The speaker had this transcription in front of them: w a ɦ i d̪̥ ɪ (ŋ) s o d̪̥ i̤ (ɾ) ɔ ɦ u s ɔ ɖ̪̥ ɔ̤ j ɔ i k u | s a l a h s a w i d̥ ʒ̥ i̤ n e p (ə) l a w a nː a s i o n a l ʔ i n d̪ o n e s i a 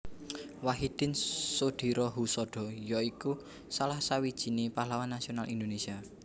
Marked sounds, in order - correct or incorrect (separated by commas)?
incorrect, correct, incorrect